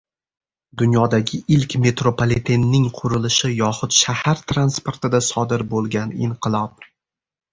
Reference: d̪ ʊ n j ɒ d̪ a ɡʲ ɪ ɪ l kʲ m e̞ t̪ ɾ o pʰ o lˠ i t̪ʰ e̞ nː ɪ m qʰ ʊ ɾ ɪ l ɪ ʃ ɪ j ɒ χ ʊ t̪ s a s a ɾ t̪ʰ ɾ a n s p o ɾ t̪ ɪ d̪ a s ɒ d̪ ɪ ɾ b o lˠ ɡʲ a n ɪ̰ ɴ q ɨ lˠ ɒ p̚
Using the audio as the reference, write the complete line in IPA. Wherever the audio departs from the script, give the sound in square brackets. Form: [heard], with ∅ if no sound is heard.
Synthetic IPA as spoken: d̪ ʊ n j ɒ d̪ a ɡʲ ɪ ɪ l kʲ m e̞ t̪ ɾ o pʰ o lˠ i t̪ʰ e̞ nː ɪ [ŋ] qʰ ʊ ɾ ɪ l ɪ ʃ ɪ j ɒ χ ʊ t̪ [ʃ] a [h] a ɾ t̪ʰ ɾ a n s p o ɾ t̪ ɪ d̪ a s ɒ d̪ ɪ ɾ b o lˠ ɡʲ a n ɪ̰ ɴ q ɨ lˠ ɒ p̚